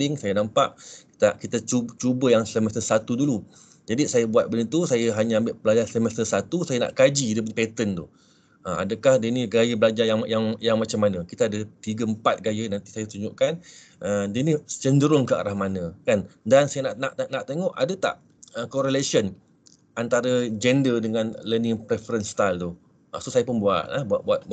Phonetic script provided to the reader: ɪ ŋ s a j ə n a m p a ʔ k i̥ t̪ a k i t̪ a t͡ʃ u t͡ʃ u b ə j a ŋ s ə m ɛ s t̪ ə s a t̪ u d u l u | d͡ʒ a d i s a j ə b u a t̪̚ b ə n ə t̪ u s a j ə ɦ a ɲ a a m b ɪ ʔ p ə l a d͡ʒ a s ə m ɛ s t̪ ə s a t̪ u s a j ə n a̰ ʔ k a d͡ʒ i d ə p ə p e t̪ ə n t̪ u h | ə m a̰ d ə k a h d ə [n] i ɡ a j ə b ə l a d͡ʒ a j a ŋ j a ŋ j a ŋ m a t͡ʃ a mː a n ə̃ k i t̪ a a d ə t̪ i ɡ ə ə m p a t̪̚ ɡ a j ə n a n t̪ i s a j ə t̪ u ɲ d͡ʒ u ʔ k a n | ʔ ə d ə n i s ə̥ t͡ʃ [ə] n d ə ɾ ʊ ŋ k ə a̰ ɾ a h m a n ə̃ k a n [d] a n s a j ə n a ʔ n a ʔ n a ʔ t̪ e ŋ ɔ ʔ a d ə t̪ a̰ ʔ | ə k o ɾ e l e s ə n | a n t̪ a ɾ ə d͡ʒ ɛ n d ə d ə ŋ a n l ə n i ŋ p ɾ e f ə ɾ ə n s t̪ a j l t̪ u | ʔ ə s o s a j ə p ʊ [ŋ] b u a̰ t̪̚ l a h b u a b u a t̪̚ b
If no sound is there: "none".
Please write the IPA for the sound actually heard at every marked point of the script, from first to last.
n, ə, d, n

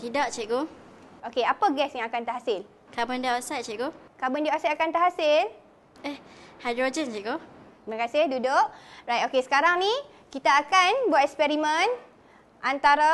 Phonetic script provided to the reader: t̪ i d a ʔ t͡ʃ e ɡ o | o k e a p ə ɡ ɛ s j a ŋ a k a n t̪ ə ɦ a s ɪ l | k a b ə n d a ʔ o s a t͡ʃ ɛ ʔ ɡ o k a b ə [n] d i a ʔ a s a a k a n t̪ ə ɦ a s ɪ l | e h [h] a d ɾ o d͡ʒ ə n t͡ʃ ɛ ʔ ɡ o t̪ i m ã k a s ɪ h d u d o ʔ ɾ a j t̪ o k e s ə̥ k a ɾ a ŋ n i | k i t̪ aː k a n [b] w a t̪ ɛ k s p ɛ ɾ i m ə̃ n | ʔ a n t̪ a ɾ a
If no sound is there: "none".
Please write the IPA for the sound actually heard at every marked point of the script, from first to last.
n, h, b

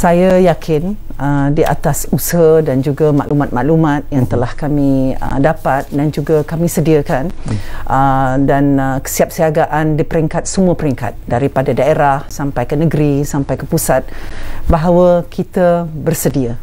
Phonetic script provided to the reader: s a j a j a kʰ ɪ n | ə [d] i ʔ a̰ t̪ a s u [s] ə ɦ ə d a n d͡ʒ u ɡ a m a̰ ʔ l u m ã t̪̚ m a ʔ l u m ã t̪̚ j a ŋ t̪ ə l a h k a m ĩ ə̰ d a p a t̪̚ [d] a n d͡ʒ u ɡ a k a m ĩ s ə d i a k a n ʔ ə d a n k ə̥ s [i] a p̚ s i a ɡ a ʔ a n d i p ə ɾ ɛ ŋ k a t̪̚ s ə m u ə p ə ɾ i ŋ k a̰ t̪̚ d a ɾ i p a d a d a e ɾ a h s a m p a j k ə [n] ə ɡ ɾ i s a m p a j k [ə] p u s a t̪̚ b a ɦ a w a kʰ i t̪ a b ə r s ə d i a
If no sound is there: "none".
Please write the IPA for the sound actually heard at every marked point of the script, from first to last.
d, s, d, i, n, ə

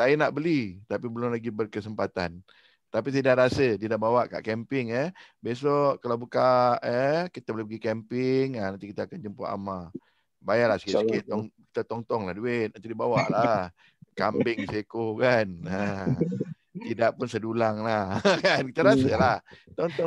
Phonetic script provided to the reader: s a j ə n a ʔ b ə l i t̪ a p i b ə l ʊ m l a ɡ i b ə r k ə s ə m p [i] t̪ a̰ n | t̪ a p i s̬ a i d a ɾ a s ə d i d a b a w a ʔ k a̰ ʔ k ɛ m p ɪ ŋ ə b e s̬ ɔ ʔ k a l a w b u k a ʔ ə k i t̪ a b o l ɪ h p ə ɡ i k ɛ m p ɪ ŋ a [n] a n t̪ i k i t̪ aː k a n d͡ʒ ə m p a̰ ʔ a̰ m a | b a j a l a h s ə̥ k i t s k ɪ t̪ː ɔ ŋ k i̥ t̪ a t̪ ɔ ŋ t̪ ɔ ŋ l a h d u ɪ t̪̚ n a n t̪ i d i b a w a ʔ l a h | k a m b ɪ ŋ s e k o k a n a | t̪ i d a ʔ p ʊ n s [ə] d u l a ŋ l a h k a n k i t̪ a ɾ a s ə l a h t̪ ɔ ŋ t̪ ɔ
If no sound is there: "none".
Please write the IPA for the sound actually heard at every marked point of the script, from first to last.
a, n, ə

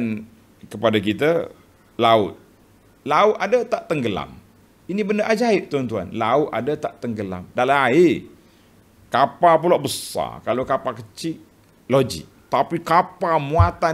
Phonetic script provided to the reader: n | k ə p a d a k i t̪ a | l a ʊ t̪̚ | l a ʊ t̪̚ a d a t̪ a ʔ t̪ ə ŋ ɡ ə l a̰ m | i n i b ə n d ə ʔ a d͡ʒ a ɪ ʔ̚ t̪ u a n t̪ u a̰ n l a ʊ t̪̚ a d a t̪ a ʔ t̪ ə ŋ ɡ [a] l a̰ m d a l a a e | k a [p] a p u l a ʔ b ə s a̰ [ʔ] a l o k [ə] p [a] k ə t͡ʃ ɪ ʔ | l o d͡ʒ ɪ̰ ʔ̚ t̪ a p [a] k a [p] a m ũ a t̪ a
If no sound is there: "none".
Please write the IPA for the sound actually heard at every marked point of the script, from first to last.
ə, p, k, a, a, i, p

